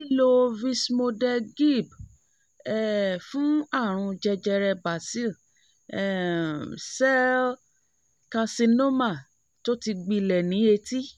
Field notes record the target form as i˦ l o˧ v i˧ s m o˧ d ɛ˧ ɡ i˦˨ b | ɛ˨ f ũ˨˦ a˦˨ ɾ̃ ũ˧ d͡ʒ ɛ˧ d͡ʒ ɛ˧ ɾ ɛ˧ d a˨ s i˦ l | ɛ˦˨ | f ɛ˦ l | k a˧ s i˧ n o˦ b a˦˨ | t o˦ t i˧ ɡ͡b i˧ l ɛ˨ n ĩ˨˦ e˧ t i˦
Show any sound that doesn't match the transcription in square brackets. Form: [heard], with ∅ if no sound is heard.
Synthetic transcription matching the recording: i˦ l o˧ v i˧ s m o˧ d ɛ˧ ɡ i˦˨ b | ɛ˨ f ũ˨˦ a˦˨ ɾ̃ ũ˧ d͡ʒ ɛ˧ d͡ʒ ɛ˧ ɾ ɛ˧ [b] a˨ s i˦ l | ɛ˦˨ | [s] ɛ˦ l | k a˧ s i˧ n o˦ [m] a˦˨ | t o˦ t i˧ ɡ͡b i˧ l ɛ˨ n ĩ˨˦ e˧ t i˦